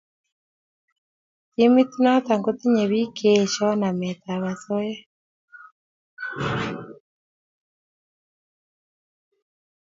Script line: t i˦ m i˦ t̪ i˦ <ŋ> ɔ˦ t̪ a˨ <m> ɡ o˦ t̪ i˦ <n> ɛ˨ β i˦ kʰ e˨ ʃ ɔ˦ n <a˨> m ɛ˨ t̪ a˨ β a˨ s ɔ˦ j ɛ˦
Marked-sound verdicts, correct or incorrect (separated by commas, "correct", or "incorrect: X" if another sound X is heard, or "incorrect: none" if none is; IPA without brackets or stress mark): incorrect: n, incorrect: ŋ, incorrect: ɲ, correct